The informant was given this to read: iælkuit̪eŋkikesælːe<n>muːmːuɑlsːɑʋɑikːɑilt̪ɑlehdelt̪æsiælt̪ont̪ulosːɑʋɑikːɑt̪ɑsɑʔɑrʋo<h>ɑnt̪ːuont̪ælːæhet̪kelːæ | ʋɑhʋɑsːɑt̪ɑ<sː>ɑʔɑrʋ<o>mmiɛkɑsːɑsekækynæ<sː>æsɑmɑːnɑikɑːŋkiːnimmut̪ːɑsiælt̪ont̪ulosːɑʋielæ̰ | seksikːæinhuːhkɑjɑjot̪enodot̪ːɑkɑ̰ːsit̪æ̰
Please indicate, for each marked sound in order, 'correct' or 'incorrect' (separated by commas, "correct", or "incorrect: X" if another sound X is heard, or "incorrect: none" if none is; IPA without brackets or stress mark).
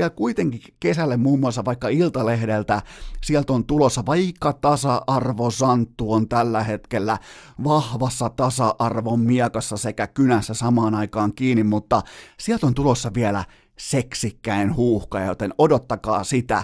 incorrect: m, incorrect: s, incorrect: s, correct, correct